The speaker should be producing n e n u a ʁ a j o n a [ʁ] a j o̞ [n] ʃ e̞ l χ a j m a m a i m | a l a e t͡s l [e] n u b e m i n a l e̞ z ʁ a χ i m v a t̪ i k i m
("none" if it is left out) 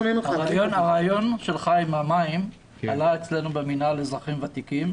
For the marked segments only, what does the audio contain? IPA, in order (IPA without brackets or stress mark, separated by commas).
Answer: ʁ, n, e